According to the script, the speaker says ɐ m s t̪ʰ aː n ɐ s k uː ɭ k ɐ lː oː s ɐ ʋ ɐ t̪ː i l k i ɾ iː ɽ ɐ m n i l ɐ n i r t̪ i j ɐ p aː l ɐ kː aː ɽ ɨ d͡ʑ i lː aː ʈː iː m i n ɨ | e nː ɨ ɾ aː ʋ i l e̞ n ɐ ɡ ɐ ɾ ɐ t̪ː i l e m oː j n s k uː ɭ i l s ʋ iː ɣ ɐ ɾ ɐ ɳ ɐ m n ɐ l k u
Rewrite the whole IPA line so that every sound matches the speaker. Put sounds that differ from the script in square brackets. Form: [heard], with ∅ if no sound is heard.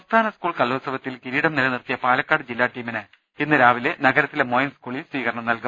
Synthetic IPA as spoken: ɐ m s t̪ʰ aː n ɐ s k uː ɭ k ɐ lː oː s ɐ ʋ ɐ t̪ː i l k i ɾ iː ɽ ɐ m n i l ɐ n i r t̪ i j ɐ p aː l ɐ kː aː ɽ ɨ d͡ʑ i lː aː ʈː iː m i n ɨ | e nː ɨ ɾ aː ʋ i l e̞ n ɐ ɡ ɐ ɾ ɐ t̪ː i l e m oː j n s k uː ɭ i l s ʋ iː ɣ ɐ ɾ ɐ ɳ ɐ m n ɐ l k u